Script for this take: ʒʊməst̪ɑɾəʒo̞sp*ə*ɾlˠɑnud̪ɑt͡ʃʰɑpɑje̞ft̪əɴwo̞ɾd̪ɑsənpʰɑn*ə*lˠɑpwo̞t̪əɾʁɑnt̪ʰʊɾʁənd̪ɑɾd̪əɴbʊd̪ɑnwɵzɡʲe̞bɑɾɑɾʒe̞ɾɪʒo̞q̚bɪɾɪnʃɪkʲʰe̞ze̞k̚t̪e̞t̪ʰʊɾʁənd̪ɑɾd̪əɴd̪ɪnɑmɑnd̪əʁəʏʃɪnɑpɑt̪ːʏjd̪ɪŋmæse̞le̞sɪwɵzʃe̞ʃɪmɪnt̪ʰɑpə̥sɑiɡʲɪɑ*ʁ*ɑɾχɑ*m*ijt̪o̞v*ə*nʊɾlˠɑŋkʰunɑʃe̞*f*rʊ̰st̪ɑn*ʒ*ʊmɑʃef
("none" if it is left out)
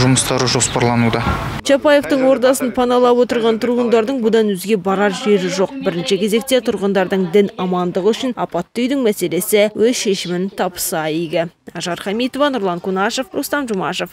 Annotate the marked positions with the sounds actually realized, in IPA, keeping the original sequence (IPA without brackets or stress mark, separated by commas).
ɑ, ɑ, ʒ, m, ɑ, f, ʒ